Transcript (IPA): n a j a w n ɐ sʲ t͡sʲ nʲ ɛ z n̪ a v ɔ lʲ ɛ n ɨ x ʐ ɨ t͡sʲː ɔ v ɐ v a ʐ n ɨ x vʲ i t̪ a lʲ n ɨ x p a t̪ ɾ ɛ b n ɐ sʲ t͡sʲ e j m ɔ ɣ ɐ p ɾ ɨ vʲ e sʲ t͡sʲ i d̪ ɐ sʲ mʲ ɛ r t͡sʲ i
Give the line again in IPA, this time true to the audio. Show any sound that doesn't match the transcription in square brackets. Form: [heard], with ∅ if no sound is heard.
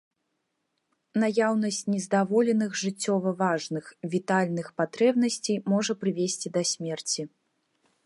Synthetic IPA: n a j a w n ɐ sʲ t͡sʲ nʲ ɛ z [d̪] a v ɔ lʲ ɛ n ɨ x ʐ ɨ t͡sʲː ɔ v ɐ v a ʐ n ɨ x vʲ i t̪ a lʲ n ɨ x p a t̪ ɾ ɛ b n ɐ sʲ t͡sʲ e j m ɔ [ʐ] ɐ p ɾ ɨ vʲ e sʲ t͡sʲ i d̪ ɐ sʲ mʲ ɛ r t͡sʲ i